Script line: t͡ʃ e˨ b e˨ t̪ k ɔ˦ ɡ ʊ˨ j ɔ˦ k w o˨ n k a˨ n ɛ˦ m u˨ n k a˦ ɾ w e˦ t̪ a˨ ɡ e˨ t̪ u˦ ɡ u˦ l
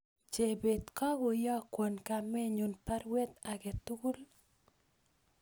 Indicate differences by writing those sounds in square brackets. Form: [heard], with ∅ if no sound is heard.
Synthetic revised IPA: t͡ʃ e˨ b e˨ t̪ k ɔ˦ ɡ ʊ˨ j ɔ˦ k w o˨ n k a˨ [m] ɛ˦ [ɲ] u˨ n [p] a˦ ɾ w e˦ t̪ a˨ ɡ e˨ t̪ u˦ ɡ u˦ l